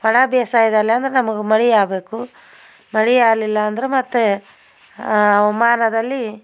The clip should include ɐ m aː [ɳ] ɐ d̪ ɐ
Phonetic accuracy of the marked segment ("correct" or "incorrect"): incorrect